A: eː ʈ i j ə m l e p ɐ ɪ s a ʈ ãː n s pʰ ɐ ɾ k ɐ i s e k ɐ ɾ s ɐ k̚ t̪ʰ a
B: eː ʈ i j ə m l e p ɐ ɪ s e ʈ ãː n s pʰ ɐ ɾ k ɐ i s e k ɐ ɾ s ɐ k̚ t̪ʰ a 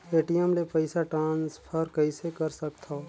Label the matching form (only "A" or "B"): A